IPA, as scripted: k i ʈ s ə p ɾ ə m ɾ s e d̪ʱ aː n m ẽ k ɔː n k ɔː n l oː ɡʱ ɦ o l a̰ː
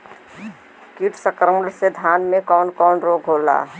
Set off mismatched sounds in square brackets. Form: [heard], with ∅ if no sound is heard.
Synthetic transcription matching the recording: k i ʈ s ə [k] ɾ ə m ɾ s e d̪ʱ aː n m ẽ k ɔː n k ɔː n [ɾ] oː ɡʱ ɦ o l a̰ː